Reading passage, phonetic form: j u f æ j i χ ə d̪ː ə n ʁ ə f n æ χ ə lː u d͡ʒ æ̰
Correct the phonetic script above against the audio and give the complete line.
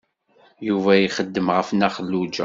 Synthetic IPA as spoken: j u v æ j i χ ə d̪ː ə m ʁ ə f n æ χ ə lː u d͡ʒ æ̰